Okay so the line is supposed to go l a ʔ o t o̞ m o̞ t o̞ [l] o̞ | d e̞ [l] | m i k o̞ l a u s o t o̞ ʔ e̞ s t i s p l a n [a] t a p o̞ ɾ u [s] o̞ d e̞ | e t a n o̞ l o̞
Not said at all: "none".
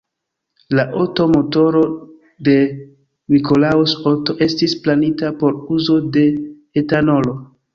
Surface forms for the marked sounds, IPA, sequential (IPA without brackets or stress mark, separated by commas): ɾ, none, i, z